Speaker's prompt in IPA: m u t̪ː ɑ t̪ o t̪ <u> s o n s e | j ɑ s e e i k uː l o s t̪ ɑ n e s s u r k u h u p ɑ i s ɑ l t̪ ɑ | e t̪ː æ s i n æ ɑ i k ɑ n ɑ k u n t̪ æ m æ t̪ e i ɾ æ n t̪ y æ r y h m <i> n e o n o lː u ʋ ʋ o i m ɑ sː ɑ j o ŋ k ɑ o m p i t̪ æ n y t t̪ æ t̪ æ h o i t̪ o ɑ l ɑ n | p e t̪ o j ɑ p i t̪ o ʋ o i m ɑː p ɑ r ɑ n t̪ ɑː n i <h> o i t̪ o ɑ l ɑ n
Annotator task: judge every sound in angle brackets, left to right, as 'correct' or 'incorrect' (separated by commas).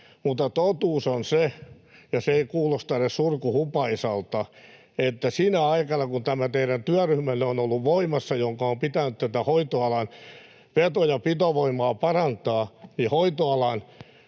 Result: incorrect, incorrect, correct